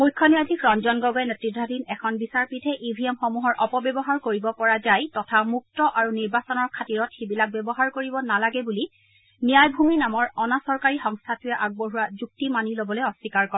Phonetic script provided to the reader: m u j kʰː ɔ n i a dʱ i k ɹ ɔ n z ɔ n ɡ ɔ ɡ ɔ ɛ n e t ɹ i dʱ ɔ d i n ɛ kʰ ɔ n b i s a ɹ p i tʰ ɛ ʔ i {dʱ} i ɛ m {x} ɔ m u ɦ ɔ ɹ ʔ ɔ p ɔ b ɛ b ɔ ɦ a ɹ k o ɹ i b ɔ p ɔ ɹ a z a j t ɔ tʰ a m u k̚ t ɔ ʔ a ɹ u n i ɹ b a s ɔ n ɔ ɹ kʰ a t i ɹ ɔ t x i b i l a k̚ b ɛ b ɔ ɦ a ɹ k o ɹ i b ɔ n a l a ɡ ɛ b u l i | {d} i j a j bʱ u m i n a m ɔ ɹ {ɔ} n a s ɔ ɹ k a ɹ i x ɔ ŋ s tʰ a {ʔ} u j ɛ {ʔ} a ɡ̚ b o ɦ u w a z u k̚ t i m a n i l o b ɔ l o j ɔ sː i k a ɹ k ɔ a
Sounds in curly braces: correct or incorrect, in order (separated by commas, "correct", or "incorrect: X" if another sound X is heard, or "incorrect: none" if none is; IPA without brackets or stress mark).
incorrect: bʱ, correct, incorrect: n, correct, incorrect: t, correct